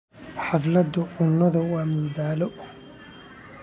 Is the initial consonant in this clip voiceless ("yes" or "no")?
yes